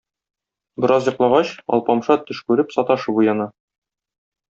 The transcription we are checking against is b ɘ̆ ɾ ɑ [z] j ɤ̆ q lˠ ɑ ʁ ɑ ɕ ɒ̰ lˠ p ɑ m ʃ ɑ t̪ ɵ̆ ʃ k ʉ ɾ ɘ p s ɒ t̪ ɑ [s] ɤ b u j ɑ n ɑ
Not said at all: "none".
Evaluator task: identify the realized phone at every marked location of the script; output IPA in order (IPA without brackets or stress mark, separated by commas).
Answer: z, ʃ